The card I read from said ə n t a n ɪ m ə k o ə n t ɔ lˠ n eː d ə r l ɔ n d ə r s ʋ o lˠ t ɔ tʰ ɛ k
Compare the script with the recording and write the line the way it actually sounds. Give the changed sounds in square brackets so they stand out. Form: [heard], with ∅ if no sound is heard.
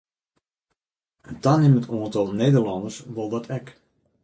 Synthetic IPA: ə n t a n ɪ m ə [t] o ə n t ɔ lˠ n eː d ə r l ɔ n d ə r s ʋ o lˠ [d] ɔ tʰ ɛ k